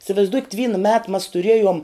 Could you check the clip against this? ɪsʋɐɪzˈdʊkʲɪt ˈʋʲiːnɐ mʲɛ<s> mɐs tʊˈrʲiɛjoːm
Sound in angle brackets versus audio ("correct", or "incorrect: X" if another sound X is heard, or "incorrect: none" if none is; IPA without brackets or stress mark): incorrect: t